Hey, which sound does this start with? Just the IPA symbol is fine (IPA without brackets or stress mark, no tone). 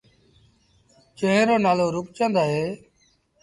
t͡ʃ